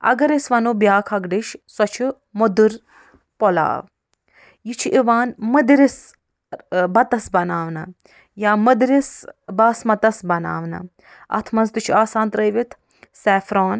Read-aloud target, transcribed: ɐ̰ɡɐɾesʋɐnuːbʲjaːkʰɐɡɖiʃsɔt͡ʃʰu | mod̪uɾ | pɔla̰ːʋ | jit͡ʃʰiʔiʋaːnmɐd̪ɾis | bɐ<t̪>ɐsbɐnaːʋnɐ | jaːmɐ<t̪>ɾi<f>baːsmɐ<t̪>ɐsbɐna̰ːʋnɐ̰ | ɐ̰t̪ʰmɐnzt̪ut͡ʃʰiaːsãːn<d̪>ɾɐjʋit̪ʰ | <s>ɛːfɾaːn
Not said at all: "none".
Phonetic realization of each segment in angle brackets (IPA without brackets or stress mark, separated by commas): t̪, d̪, s, t̪, t̪, s